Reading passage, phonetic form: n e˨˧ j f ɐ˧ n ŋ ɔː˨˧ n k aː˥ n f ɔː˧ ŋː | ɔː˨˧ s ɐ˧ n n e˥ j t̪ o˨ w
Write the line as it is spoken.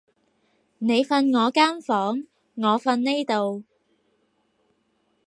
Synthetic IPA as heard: n e˨˧ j f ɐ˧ n ŋ ɔː˨˧ k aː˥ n f ɔː˨˥ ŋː | ɔː˨˧ f ɐ˧ n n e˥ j t̪ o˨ w